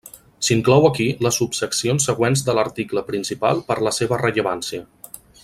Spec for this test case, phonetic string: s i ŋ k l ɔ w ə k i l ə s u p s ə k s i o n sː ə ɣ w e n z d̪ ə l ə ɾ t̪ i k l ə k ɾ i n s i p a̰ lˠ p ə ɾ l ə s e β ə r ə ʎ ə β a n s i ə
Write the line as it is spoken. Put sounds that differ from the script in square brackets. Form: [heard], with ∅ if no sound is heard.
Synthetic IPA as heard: s i ŋ k l ɔ w ə k i l ə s u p s ə k s i o n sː ə ɣ w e n z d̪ ə l ə ɾ t̪ i k l ə [p] ɾ i n s i p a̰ lˠ p ə ɾ l ə s e β ə r ə ʎ ə β a n s i ə